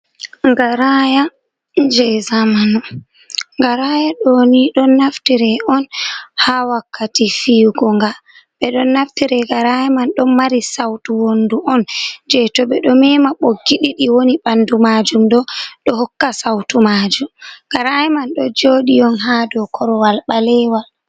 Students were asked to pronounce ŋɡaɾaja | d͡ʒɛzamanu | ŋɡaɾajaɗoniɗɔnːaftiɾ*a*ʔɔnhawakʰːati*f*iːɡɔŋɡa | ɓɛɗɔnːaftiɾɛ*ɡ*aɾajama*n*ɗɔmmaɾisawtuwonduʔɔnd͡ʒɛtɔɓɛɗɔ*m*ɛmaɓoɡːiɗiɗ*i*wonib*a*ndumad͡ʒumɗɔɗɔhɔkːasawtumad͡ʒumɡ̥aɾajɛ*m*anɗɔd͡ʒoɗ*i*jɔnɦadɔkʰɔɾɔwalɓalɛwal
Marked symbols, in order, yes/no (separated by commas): no, yes, yes, yes, yes, yes, yes, yes, yes